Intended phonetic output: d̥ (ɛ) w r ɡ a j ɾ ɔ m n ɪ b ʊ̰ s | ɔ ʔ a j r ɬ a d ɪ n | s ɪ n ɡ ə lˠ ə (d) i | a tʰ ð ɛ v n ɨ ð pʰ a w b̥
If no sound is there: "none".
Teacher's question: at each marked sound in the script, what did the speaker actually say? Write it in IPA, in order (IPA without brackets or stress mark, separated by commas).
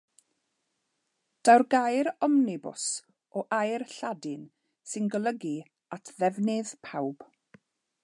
a, ɡ